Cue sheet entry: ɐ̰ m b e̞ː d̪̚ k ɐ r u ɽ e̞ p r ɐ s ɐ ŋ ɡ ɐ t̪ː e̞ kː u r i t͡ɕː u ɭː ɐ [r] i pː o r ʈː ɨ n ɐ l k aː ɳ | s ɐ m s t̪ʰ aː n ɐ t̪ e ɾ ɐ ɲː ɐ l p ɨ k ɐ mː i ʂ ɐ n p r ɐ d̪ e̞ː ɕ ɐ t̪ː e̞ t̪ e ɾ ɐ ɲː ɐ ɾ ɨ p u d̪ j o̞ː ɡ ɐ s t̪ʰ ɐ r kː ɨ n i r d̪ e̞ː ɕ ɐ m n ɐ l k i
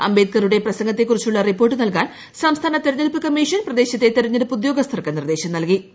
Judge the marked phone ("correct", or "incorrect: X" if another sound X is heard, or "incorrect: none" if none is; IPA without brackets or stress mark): correct